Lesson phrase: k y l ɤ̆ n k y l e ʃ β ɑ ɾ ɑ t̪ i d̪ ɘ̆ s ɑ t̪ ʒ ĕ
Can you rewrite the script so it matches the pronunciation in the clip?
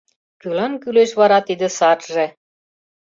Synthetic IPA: k y l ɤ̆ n k y l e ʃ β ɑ ɾ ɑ t̪ i d̪ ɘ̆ s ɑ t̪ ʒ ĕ